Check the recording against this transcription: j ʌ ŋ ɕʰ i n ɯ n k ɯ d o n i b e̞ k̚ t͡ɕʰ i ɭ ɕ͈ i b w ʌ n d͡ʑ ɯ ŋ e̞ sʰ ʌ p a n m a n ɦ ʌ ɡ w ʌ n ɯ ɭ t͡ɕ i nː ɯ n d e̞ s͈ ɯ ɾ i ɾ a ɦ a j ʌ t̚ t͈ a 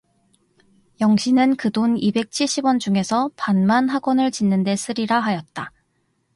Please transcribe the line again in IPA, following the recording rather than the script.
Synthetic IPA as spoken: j ʌ ŋ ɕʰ i n ɯ n k ɯ d o n i b e̞ k̚ t͡ɕʰ i ɭ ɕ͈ i b w ʌ n d͡ʑ u ŋ e̞ sʰ ʌ p a n m a n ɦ a ɡ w ʌ n ɯ ɭ t͡ɕ i nː ɯ n d e̞ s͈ ɯ ɾ i ɾ a ɦ a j ʌ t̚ t͈ a